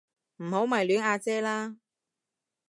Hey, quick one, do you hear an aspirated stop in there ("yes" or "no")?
no